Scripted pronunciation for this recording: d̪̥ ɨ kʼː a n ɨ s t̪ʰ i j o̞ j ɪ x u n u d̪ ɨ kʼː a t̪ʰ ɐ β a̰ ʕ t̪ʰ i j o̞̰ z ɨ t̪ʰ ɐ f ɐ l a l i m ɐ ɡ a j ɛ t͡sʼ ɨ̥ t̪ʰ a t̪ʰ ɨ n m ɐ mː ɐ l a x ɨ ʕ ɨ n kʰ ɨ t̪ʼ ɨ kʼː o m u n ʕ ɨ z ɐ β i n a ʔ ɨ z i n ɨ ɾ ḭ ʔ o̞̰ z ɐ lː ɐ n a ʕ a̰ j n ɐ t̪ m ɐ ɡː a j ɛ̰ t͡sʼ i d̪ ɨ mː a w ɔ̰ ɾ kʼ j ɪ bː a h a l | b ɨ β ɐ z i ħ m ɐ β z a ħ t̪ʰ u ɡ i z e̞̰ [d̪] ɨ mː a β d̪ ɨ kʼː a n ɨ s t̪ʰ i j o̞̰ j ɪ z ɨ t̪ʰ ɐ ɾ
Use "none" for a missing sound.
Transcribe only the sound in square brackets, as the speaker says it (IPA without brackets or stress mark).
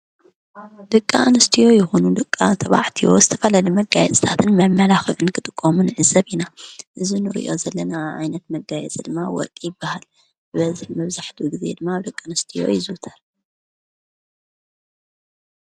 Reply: d̪